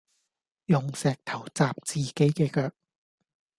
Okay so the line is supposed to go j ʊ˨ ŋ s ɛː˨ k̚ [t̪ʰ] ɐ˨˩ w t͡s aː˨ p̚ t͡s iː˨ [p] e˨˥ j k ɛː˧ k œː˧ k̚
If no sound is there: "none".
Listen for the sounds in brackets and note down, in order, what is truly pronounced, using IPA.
t̪ʰ, k

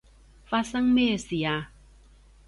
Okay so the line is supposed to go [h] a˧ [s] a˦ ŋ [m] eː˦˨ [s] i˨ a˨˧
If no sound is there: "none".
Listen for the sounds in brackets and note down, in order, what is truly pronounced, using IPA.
f, s, m, s

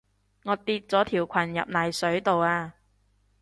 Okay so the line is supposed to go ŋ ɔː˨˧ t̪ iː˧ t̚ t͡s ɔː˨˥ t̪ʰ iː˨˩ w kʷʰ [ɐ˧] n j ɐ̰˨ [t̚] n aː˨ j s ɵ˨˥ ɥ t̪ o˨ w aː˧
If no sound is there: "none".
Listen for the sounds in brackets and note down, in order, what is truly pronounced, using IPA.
ɐ˨˩, p̚

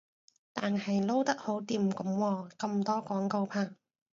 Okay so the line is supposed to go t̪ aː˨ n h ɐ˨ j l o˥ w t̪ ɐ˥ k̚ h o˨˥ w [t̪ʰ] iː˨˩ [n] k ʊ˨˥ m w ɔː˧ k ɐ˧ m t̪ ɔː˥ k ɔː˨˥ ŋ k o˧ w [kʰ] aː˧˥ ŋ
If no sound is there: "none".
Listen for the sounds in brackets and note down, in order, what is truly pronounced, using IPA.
t̪, m, pʰ

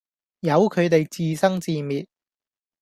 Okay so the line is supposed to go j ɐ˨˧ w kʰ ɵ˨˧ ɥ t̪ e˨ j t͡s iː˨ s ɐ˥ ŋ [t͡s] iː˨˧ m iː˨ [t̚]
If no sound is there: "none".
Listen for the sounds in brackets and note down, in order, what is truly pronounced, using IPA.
t͡s, t̚

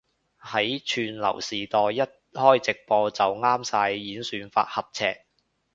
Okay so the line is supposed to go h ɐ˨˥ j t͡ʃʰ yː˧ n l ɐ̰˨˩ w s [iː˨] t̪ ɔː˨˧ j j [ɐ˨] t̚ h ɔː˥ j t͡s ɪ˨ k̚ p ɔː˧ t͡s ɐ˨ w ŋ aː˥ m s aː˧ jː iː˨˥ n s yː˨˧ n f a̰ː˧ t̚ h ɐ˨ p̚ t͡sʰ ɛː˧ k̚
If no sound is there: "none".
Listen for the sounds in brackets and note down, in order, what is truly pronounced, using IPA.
iː˨, ɐ˥

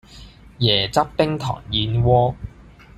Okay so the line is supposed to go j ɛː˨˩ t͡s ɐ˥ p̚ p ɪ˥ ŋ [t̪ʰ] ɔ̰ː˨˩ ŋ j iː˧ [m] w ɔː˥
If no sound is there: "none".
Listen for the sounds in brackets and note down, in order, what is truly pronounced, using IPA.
t̪ʰ, n

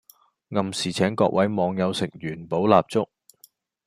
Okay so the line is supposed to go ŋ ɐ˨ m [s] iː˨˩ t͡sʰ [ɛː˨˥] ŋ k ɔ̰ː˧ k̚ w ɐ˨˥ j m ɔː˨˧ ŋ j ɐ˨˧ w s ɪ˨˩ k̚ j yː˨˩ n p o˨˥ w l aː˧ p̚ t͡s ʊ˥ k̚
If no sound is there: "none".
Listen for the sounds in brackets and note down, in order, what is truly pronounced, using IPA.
s, ɛː˨˥

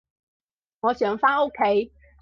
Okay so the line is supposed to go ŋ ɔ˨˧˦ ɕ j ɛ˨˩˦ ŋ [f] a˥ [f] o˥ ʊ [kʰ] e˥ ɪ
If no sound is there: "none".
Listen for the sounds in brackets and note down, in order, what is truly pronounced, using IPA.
f, none, kʰ

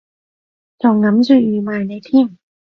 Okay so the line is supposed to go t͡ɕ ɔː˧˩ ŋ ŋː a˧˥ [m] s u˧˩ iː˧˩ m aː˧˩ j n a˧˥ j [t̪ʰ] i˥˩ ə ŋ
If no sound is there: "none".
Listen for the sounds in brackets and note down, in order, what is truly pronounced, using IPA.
m, t̪ʰ

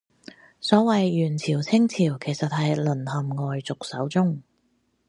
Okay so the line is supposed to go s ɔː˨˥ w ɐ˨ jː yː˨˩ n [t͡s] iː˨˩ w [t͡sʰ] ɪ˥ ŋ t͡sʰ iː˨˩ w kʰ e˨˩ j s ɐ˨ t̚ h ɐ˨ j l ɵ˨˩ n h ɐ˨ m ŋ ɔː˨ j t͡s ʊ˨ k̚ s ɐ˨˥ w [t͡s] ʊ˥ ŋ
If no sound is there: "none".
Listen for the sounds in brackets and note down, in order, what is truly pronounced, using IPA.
t͡sʰ, t͡sʰ, t͡s

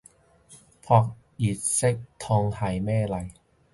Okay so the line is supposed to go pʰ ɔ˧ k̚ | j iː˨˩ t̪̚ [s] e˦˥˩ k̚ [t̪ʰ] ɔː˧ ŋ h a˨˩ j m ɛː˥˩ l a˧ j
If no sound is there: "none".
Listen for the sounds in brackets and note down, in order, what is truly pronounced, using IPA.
s, t̪ʰ

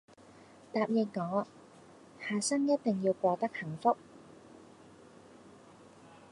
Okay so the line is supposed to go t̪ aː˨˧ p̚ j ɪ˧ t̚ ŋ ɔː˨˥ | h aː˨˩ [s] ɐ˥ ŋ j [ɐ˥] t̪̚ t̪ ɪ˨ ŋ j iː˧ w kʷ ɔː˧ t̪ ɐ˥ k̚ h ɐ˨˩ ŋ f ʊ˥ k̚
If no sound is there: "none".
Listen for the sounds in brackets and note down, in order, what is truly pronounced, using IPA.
s, ɐ˥

